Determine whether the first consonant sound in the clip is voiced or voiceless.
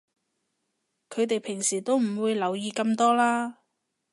voiceless